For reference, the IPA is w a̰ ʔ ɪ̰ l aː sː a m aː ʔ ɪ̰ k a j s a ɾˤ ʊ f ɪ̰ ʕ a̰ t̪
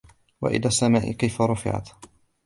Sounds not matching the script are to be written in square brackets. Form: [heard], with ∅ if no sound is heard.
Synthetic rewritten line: w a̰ ʔ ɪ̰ l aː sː a m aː ʔ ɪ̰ k a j [f] a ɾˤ ʊ f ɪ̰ ʕ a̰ t̪